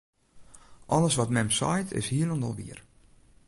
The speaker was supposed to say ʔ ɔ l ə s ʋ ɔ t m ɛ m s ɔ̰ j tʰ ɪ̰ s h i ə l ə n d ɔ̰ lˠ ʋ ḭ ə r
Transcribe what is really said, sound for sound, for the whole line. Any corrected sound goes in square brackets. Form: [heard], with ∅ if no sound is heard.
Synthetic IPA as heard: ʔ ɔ l ə s ʋ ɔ t m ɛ m s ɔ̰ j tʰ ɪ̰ s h i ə l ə n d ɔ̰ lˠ ʋ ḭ ə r